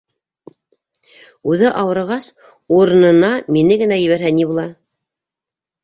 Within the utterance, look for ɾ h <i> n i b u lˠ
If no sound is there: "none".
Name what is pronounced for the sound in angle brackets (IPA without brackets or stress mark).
æ